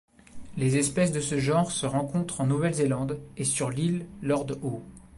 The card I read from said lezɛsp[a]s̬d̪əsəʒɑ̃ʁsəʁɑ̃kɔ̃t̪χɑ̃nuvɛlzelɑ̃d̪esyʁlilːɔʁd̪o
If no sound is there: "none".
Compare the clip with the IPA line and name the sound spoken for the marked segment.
ɛ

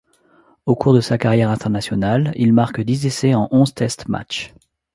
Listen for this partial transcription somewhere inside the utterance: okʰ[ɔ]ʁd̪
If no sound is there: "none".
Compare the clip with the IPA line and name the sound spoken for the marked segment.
u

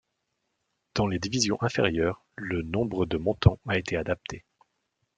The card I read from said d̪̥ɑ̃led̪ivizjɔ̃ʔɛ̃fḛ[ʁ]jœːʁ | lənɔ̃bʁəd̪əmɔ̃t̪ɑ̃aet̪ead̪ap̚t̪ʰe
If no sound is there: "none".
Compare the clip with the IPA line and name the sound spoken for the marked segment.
ʁ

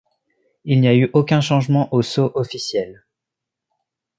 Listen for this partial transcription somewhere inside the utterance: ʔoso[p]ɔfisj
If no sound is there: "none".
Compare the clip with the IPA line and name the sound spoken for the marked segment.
ʔ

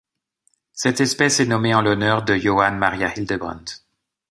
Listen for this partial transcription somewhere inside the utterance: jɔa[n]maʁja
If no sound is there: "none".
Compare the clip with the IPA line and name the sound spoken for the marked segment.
n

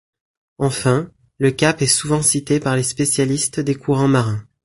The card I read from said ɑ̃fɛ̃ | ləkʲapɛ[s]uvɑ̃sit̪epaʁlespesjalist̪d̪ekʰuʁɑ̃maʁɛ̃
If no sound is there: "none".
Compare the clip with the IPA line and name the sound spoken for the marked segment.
s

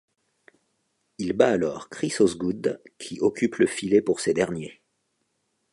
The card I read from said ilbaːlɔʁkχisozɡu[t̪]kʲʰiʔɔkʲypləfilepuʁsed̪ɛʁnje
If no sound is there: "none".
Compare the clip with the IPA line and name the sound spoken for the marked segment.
d̪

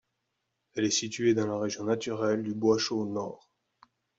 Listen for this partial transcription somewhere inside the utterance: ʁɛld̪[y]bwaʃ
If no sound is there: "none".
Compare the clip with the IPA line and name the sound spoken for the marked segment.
y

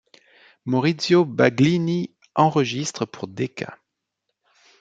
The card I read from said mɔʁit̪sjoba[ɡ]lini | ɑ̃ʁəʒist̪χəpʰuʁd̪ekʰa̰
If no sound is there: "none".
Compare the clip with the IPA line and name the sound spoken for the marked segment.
ɡ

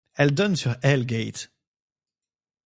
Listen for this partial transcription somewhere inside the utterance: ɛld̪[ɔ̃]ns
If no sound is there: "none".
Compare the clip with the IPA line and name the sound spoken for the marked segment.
ɔ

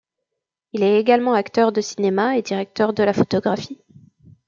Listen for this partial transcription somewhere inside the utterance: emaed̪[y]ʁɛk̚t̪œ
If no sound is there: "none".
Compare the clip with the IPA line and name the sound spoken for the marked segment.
i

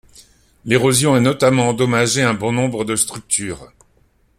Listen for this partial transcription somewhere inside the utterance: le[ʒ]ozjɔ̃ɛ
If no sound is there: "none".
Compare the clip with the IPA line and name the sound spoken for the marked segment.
ʁ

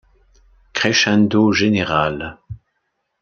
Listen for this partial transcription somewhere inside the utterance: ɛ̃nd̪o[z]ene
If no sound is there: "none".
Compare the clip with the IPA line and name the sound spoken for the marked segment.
ʒ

